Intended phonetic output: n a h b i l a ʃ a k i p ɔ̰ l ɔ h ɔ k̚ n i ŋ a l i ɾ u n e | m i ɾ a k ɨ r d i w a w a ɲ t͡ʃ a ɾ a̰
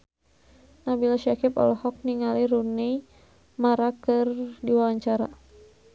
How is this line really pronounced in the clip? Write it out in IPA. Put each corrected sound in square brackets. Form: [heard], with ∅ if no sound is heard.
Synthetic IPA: n a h b i l a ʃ a k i p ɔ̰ l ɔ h ɔ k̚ n i ŋ a l i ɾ u n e | m [a] ɾ a k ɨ r d i w a w a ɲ t͡ʃ a ɾ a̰